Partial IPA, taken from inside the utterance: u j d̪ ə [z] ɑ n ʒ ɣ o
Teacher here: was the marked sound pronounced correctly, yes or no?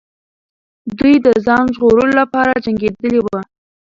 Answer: yes